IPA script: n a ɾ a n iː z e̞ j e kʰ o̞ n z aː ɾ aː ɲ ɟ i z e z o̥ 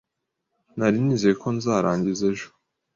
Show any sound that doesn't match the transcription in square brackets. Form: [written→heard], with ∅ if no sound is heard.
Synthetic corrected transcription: n a ɾ [a→i] n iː z e̞ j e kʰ o̞ n z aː ɾ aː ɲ ɟ i z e [z→ʒ] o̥